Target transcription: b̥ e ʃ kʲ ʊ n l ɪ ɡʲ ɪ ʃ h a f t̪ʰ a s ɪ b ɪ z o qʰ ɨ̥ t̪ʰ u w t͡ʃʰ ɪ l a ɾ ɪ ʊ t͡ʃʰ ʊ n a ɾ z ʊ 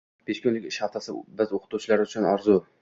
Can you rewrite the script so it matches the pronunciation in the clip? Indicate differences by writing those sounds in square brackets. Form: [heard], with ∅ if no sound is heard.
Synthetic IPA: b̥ e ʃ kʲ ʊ n l ɪ [kʲ] ɪ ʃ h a f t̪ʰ a s ɪ b ɪ z o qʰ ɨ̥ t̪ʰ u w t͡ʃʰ ɪ l a ɾ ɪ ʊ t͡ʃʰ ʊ n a ɾ z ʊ